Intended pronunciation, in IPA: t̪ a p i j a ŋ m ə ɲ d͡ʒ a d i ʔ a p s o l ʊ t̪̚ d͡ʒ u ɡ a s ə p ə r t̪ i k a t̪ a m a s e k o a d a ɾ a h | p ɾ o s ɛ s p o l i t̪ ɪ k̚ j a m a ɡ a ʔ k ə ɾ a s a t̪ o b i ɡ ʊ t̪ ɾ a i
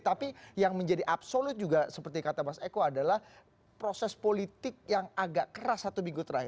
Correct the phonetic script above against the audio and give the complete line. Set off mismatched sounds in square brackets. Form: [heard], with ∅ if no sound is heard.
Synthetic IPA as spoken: t̪ a p i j a ŋ m ə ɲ d͡ʒ a d i ʔ a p s o l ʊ t̪̚ d͡ʒ u ɡ a s ə p ə r t̪ i k a t̪ a m a s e k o a d a [l] a h | p ɾ o s ɛ s p o l i t̪ ɪ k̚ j a [ŋ] a ɡ a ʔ k ə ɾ a s a t̪ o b i ɡ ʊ t̪ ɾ a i